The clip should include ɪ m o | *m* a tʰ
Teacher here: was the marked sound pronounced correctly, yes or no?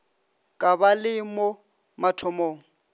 yes